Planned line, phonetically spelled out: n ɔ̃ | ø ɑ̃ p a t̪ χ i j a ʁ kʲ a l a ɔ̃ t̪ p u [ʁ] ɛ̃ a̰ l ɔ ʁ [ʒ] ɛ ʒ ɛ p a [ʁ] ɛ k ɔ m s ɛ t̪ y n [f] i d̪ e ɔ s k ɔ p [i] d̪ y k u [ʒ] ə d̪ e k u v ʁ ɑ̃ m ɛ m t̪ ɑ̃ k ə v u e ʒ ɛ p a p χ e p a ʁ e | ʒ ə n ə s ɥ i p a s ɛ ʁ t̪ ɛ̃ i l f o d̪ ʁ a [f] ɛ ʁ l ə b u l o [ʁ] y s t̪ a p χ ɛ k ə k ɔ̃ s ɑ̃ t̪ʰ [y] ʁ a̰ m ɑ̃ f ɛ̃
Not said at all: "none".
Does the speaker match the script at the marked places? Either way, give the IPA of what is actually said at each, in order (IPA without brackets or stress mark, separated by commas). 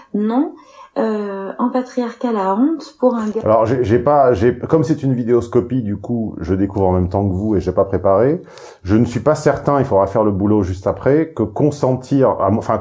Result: ʁ, ʒ, ʒ, v, i, ʒ, f, ʒ, i